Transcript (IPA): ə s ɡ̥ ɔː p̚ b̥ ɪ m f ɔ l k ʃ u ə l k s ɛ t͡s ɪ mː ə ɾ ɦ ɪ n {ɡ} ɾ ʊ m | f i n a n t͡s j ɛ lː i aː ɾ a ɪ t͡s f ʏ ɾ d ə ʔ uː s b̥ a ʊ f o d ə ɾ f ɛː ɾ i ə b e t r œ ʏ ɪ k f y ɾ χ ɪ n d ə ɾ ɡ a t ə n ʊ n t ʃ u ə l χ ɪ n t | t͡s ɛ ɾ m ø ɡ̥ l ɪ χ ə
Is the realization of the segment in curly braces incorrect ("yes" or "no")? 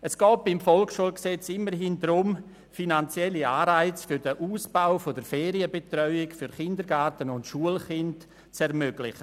yes